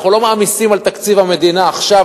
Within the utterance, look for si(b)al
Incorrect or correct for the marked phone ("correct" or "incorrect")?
incorrect